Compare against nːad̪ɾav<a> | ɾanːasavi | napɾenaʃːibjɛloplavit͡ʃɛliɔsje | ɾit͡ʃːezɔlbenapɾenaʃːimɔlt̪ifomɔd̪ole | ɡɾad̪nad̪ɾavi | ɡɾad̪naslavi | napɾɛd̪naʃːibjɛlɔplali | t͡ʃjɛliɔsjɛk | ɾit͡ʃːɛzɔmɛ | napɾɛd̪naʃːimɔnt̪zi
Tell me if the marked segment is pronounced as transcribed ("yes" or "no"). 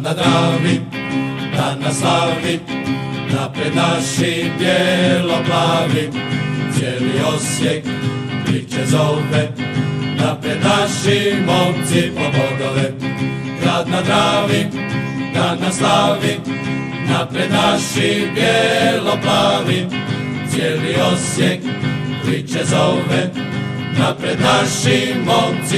no